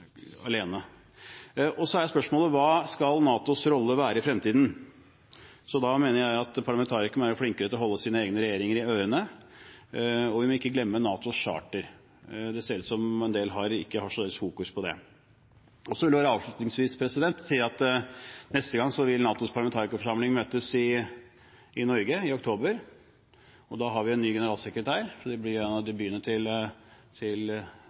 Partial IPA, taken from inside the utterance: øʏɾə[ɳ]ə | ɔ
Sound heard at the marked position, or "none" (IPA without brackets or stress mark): n